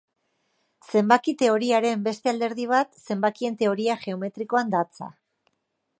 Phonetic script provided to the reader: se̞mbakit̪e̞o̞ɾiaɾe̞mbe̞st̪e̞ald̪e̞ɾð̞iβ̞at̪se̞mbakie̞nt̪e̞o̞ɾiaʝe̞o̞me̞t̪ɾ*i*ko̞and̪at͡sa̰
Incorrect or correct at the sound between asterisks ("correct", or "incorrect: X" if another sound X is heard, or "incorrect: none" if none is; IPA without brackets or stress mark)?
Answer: correct